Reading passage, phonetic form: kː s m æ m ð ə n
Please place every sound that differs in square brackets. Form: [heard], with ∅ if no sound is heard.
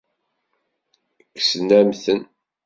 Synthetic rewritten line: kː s [n] æ m [θ] ə n